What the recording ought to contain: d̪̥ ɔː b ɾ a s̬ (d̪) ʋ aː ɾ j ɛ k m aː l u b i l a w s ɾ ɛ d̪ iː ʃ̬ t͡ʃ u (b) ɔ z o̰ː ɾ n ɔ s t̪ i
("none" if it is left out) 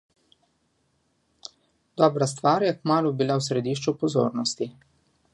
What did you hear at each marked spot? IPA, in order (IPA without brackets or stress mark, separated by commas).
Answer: t̪, p